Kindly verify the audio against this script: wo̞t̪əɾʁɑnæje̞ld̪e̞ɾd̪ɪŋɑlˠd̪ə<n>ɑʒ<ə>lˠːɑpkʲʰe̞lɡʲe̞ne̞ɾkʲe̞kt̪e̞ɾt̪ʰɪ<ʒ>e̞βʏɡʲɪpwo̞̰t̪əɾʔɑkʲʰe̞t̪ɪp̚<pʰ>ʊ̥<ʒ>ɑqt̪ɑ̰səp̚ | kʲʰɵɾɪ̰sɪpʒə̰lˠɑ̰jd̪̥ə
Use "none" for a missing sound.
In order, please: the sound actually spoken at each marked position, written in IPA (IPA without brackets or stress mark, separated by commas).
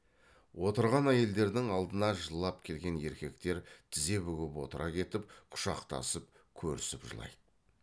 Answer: n, ə, z, qʰ, ʃ